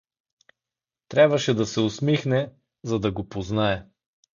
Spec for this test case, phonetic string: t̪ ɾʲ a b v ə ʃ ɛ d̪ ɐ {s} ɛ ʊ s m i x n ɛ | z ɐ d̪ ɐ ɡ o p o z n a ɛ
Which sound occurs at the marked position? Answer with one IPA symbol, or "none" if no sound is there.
s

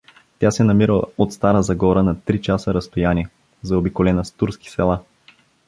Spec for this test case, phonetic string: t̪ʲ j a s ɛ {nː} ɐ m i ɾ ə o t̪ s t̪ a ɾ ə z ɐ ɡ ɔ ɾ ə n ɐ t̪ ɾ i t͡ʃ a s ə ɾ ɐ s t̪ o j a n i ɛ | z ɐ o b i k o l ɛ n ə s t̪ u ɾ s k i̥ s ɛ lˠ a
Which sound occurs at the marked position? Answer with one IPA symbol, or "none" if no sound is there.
n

